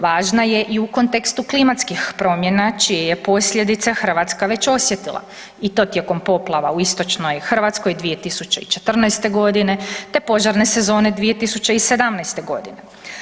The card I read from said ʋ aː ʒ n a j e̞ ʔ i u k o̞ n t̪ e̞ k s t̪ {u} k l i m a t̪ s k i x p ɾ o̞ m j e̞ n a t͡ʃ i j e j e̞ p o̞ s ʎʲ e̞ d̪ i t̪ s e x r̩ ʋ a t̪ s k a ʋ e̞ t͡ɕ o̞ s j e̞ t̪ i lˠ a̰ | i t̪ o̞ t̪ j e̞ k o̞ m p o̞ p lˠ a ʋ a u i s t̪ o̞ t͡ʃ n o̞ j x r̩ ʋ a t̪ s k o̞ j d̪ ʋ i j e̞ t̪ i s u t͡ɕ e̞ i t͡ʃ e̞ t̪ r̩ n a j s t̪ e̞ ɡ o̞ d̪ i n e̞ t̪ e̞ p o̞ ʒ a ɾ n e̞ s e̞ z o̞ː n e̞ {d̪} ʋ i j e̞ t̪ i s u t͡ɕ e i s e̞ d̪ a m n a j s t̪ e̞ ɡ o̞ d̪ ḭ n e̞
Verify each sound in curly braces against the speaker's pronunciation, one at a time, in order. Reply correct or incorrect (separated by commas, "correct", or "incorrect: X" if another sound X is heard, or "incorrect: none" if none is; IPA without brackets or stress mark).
correct, correct